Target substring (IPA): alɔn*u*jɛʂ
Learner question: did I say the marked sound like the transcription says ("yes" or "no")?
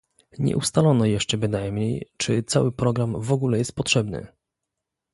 no